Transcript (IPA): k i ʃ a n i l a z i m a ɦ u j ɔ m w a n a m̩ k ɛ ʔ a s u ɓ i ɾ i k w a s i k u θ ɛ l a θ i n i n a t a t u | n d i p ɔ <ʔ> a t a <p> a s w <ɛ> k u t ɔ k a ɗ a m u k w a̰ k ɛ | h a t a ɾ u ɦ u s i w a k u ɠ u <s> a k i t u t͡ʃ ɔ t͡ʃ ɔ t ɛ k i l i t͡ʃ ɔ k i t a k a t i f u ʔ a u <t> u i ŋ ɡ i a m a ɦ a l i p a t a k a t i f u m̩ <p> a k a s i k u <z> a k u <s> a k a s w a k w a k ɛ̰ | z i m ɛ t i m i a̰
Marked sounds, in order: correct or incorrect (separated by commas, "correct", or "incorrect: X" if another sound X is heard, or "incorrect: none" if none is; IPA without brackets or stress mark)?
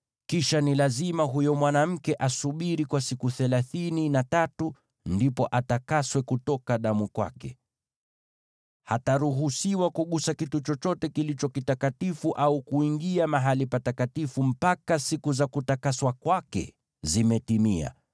correct, incorrect: k, correct, correct, incorrect: k, correct, correct, incorrect: t